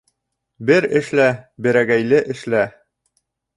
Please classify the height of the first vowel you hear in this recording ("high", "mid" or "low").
mid